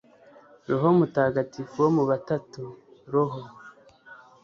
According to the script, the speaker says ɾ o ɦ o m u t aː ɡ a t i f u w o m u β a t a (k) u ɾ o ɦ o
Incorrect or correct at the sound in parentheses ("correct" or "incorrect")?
incorrect